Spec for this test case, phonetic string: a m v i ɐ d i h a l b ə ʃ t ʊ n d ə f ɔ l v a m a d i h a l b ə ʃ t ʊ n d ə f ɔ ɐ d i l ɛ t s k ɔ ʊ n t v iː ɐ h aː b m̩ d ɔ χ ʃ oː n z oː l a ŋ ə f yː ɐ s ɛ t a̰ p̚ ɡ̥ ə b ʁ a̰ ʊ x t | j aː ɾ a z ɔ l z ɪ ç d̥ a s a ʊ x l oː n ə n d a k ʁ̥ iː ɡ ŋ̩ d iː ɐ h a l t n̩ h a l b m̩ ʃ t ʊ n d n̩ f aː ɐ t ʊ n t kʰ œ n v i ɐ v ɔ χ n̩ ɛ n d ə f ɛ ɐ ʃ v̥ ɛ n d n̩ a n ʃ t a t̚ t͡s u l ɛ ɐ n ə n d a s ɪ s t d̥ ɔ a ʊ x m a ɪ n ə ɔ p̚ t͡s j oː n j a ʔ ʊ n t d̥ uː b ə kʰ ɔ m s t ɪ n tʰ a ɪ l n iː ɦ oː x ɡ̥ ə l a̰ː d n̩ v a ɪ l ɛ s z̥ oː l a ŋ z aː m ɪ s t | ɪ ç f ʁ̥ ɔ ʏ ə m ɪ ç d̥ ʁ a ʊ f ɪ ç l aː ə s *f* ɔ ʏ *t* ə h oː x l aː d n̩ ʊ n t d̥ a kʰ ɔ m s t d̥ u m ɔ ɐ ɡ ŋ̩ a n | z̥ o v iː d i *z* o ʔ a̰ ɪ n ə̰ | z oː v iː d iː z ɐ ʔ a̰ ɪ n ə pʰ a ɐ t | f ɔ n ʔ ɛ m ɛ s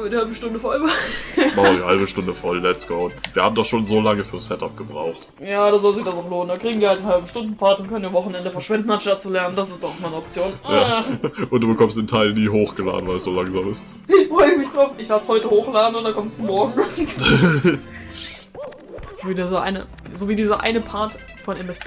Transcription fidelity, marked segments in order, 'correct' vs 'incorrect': incorrect, correct, correct

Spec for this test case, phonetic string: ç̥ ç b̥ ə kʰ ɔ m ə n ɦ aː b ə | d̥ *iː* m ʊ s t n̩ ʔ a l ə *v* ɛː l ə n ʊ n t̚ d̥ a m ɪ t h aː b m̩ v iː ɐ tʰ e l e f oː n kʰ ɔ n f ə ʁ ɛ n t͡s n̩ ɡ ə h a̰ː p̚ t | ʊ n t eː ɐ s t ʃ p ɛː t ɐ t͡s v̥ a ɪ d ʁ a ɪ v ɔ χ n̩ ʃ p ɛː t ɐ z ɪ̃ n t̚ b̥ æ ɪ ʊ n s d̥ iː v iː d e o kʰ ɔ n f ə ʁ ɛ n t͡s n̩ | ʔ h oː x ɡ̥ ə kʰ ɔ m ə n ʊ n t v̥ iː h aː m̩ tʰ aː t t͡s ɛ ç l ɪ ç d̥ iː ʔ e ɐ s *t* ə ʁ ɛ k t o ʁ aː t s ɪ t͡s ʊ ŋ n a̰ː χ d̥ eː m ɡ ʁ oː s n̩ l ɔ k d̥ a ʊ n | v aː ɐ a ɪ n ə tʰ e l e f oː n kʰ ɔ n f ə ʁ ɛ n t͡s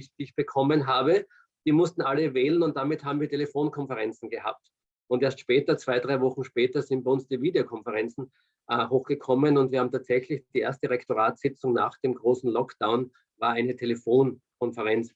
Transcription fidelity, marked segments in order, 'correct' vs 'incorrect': correct, correct, correct

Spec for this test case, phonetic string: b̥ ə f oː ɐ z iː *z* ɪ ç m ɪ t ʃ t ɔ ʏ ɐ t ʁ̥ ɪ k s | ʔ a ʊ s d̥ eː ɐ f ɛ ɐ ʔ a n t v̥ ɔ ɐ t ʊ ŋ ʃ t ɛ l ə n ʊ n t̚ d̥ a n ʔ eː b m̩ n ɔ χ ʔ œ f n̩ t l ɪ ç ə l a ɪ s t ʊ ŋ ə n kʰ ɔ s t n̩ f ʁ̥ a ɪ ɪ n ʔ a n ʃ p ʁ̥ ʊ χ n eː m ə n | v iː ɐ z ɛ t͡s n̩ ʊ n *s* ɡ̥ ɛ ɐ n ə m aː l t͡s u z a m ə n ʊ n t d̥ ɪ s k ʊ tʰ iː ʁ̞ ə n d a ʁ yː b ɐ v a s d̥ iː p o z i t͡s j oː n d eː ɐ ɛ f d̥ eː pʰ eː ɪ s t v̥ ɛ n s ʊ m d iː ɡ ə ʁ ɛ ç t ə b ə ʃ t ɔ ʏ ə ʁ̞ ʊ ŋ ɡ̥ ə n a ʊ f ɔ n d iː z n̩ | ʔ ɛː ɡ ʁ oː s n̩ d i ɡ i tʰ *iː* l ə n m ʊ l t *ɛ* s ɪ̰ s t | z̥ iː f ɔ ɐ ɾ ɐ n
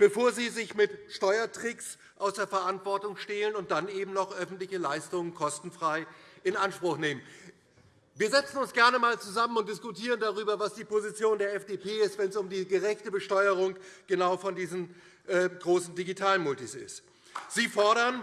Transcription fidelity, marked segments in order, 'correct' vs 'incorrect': correct, correct, incorrect, incorrect

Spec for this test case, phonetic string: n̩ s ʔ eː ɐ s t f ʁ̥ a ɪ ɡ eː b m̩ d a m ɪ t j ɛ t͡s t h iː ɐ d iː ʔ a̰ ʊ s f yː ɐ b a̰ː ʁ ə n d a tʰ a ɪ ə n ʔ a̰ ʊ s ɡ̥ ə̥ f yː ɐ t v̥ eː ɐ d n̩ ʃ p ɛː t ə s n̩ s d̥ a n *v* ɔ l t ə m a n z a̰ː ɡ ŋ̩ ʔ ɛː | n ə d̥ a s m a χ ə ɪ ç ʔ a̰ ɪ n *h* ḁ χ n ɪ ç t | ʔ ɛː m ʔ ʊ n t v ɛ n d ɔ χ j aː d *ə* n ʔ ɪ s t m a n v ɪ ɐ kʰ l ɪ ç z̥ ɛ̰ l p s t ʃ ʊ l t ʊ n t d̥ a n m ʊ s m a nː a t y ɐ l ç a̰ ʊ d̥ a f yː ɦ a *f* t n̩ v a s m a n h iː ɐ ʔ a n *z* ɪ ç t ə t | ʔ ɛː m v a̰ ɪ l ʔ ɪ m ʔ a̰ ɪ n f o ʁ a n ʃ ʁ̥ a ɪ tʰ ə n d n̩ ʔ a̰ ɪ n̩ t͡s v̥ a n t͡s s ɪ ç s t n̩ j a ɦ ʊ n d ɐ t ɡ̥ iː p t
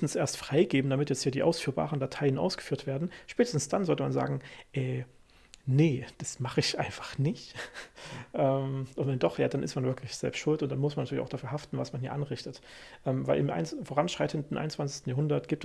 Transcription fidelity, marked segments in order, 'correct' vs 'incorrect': incorrect, incorrect, incorrect, correct, incorrect

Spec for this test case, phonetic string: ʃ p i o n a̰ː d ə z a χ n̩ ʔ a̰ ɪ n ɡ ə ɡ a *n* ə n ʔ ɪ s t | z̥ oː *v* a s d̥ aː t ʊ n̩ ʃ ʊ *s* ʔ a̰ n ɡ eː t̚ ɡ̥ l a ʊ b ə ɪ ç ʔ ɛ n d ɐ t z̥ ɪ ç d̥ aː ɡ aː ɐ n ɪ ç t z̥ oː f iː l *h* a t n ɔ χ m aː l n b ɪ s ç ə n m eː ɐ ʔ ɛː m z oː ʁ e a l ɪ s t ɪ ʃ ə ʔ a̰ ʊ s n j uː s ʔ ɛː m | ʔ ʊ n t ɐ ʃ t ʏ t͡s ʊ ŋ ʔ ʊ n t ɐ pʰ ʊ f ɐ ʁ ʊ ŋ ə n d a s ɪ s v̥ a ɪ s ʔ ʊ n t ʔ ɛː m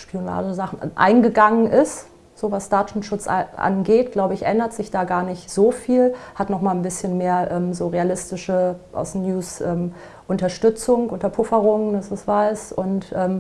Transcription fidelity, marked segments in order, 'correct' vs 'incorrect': incorrect, correct, incorrect, correct

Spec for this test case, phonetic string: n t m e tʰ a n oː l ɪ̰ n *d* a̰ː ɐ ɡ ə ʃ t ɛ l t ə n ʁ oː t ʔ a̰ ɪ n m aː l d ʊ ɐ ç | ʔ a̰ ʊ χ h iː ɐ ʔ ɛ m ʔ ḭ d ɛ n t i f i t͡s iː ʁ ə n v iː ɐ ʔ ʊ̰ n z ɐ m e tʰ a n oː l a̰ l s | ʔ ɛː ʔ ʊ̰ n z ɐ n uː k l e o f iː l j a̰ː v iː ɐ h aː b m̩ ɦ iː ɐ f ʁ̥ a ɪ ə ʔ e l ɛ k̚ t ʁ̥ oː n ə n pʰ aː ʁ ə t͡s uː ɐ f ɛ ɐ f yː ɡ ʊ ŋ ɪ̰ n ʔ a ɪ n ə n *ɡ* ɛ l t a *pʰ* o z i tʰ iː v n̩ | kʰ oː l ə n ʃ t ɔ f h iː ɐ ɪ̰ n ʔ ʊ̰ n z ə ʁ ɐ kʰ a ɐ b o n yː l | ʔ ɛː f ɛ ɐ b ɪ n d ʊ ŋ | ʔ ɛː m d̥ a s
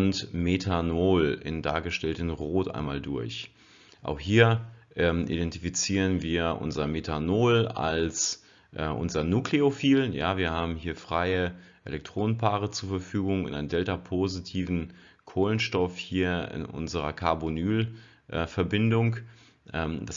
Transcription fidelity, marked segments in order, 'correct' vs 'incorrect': correct, incorrect, correct

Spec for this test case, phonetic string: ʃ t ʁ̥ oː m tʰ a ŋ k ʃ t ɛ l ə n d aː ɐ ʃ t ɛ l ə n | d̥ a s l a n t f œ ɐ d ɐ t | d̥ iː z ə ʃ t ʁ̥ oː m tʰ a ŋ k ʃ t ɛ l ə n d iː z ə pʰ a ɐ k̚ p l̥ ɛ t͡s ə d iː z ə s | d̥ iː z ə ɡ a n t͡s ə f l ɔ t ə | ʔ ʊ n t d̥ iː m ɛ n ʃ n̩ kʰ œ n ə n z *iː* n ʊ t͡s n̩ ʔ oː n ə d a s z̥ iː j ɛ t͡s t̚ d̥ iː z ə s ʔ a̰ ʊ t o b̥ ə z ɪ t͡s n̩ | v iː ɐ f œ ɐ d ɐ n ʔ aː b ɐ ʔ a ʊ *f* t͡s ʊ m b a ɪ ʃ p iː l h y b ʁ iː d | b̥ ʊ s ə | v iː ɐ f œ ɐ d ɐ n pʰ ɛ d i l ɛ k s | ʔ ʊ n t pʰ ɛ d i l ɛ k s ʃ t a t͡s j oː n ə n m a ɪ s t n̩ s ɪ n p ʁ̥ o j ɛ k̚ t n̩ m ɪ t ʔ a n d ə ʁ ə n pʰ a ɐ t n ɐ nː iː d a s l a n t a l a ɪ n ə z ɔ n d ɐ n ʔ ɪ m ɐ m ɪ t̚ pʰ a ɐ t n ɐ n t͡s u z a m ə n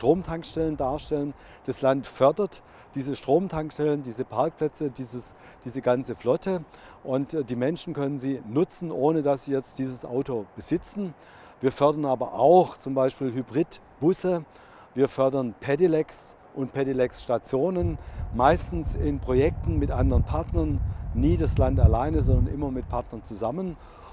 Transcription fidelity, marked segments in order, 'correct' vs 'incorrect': correct, incorrect

